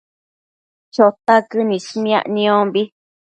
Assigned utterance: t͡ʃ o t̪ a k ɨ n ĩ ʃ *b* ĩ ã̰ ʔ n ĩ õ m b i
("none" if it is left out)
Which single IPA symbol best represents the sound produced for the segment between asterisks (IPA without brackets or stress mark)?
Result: m